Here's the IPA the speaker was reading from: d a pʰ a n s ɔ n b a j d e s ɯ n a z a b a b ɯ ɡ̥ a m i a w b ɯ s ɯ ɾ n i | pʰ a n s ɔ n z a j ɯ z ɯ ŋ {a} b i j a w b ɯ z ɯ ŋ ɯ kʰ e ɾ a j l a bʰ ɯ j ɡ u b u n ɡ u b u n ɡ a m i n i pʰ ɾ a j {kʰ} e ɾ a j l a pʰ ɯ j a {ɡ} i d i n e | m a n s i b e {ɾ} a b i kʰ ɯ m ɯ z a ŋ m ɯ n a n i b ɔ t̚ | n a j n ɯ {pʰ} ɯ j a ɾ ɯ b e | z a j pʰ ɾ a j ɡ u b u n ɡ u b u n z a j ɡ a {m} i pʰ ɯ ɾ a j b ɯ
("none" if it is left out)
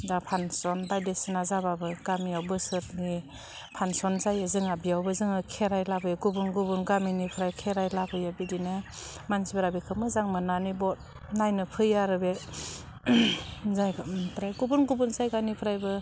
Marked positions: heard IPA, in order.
a, kʰ, b, ɾ, pʰ, n

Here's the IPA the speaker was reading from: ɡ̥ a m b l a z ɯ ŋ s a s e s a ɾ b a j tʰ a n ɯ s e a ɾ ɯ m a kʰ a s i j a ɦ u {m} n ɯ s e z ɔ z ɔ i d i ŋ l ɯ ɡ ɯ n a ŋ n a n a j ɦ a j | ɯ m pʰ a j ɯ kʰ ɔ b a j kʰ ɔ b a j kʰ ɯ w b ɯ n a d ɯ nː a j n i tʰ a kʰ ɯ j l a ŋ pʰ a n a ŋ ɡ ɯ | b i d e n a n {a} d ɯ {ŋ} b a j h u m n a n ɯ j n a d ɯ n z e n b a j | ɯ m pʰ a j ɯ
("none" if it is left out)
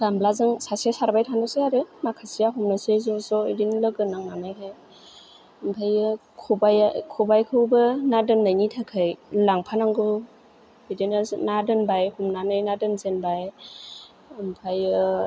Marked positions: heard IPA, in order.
m, a, n

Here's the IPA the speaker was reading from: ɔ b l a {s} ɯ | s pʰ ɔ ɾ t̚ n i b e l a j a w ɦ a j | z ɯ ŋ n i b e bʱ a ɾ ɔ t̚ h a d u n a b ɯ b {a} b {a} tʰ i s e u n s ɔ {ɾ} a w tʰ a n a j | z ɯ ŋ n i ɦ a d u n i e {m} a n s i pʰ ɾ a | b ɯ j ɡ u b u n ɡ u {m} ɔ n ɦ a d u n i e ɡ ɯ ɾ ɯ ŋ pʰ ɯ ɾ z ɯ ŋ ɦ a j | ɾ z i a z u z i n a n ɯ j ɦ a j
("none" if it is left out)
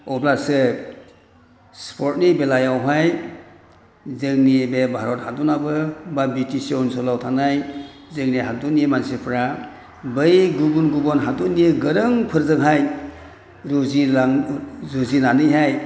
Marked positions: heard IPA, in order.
s, a, i, l, m, b

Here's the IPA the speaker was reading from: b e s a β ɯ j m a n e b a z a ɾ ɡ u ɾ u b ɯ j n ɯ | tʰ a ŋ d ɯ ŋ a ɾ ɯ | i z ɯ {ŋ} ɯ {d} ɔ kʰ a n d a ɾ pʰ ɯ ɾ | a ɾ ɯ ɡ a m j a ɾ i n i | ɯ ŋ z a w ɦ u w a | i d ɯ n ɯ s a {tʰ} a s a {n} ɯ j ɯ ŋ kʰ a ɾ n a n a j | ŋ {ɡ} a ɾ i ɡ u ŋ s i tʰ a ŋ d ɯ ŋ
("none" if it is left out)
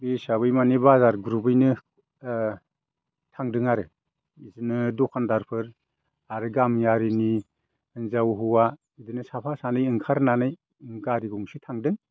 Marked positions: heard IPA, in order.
n, d, pʰ, n, ɡ

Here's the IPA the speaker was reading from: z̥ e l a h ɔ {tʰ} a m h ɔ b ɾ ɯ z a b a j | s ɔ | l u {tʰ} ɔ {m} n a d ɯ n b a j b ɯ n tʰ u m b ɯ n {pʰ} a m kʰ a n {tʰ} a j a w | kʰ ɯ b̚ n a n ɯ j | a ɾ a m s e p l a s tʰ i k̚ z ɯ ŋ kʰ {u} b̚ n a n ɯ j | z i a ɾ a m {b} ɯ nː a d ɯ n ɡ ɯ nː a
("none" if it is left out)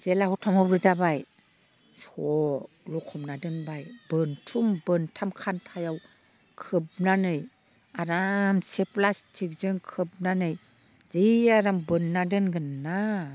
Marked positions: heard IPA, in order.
tʰ, kʰ, m, tʰ, tʰ, ɯ, b

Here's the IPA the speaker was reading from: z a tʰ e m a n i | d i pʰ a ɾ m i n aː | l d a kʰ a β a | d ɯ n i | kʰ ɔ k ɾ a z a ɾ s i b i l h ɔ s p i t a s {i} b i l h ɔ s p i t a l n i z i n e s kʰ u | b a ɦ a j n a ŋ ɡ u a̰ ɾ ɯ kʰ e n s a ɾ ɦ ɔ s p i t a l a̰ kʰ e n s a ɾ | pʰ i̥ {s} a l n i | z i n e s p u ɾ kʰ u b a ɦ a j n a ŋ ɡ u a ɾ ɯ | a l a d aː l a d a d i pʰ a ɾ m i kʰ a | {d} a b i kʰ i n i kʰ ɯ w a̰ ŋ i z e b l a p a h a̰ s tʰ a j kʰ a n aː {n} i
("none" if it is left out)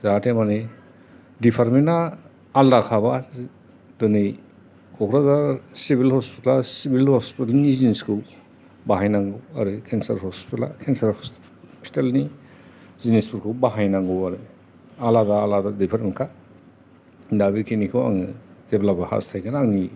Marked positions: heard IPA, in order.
i, t, d, ŋ

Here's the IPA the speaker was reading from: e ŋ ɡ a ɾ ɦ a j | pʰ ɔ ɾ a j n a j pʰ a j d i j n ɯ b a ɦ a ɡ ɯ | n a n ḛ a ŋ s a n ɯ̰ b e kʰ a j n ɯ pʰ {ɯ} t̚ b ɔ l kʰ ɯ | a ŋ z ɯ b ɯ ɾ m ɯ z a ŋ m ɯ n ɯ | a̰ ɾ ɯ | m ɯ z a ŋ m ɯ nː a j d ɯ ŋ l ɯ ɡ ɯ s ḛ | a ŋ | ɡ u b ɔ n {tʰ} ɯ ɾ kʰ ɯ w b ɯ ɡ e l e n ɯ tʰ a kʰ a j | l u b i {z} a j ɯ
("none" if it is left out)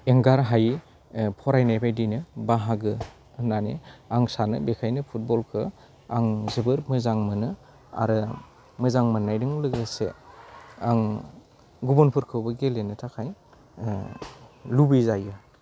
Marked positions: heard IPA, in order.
u, pʰ, z

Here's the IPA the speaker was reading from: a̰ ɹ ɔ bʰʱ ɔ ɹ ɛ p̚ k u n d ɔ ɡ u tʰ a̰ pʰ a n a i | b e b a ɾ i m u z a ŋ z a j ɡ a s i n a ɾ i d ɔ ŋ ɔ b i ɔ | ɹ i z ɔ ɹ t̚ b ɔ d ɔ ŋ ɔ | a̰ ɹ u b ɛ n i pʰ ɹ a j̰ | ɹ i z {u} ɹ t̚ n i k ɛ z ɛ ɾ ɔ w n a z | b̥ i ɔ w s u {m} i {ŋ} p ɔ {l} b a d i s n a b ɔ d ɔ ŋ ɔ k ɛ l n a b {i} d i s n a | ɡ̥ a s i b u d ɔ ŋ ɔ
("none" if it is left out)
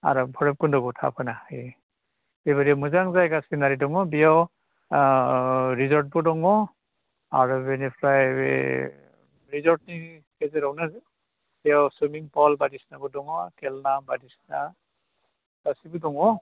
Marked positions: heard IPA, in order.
ɔ, m, ŋ, l, a

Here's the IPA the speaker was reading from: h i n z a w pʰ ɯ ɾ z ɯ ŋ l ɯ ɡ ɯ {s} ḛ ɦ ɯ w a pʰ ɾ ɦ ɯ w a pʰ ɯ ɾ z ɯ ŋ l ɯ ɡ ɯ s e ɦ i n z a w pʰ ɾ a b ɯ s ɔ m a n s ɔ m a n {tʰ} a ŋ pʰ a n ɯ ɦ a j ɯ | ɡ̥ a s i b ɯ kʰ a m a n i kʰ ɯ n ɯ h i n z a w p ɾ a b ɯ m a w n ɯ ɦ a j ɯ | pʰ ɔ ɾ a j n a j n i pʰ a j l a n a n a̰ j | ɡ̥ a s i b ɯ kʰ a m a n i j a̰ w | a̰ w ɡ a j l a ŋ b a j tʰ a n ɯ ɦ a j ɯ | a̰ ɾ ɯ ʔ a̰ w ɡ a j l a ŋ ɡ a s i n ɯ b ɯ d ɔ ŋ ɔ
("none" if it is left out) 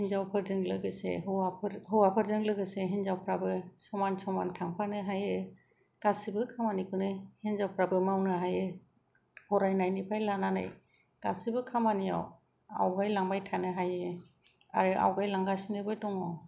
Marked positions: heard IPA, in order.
s, tʰ

